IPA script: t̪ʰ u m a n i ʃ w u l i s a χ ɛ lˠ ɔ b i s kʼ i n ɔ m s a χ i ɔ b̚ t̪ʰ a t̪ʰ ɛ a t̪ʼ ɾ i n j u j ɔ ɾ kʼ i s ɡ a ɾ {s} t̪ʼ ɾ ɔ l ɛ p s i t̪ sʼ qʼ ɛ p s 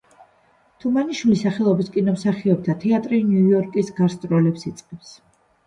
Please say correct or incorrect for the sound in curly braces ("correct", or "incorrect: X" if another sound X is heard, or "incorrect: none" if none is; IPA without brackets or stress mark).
correct